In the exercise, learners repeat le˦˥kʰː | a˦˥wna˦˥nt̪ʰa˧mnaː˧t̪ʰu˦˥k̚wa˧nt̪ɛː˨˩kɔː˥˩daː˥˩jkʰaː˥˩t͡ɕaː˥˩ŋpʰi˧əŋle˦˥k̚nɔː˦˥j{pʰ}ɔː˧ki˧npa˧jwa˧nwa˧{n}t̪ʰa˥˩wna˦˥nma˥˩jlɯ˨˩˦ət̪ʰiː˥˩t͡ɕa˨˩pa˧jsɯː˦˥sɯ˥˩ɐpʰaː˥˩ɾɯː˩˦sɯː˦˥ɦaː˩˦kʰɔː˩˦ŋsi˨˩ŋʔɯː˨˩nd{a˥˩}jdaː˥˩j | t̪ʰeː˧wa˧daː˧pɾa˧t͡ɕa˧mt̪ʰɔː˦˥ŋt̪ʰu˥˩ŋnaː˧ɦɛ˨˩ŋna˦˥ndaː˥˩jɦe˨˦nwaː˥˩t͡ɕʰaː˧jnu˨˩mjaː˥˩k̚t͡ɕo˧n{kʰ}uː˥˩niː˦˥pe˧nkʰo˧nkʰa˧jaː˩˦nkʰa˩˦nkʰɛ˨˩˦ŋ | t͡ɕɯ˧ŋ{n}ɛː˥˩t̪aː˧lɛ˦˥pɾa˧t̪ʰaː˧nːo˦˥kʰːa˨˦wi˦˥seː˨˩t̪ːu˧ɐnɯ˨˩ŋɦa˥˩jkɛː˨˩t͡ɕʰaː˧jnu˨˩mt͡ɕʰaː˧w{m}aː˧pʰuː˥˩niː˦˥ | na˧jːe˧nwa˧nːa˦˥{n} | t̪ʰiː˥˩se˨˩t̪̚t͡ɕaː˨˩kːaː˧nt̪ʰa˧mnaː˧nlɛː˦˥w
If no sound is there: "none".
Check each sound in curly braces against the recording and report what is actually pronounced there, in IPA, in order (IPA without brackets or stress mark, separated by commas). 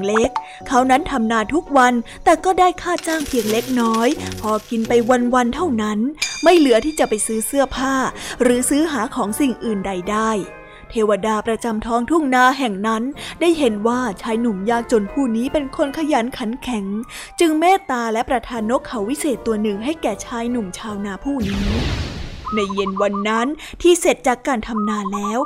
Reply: pʰ, n, a˨˧, pʰ, m, n, n